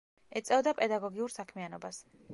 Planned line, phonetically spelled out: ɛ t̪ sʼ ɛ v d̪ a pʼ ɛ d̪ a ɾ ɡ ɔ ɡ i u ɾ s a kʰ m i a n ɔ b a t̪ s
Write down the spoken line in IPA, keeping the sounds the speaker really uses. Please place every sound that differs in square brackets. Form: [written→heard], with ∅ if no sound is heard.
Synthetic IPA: ɛ t̪ sʼ ɛ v d̪ a pʼ ɛ d̪ a [ɾ→∅] ɡ ɔ ɡ i u ɾ s a kʰ m i a n ɔ b a [t̪→∅] s